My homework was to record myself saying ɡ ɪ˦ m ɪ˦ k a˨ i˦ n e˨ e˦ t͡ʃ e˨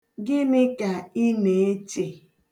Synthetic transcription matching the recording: ɡ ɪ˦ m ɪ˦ k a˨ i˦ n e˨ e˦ t͡ʃ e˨